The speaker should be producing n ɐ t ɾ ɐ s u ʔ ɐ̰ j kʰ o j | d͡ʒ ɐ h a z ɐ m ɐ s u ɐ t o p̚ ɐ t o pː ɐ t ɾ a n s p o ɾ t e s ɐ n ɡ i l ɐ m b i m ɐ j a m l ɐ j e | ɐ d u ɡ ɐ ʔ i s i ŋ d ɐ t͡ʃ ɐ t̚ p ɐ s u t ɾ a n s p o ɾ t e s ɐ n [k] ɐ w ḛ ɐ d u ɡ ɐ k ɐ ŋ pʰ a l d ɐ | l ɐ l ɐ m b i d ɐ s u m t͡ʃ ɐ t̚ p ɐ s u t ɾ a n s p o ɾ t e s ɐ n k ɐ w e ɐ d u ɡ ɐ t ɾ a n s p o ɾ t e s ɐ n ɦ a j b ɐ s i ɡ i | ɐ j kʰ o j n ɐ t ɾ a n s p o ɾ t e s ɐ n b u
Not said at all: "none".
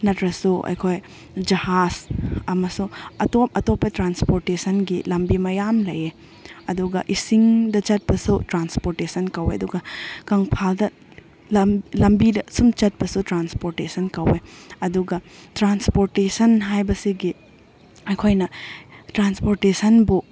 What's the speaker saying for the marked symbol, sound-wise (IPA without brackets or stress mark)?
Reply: k